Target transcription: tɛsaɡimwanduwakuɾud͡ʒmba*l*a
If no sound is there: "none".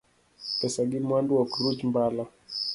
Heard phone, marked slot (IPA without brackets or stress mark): l